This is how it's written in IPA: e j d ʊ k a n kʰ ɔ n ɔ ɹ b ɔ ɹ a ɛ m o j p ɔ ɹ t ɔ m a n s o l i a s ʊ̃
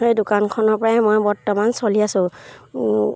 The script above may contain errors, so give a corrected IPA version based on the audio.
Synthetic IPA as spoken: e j d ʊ k a n kʰ ɔ n ɔ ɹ p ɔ ɹ a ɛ m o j b ɔ ɹ t ɔ m a n s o l i a s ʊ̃